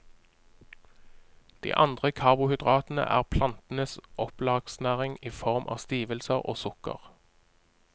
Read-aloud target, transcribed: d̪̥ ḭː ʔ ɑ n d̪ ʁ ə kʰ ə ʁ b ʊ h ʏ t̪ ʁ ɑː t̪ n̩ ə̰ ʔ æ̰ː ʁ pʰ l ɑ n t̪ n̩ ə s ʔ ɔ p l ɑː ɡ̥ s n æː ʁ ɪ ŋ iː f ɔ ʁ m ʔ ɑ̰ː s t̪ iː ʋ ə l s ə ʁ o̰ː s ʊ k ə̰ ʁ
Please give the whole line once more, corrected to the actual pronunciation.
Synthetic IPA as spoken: d̪̥ ḭː ʔ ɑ n d̪ ʁ ə kʰ ɑ ʁ b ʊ h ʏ d̪ ʁ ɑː t̪ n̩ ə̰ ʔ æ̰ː ʁ pʰ l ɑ n t̪ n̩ ə s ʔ ɔ p l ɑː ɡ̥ s n æː ʁ ɪ ŋ iː f ɔ ʁ m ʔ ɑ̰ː s t̪ iː ʋ ə l s ə ʁ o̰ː s ʊ k ə̰ ʁ